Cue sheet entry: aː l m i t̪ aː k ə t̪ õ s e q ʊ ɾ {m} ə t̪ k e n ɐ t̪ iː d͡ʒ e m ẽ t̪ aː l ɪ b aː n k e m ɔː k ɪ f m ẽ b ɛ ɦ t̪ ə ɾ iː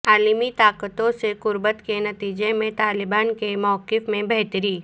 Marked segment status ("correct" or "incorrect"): incorrect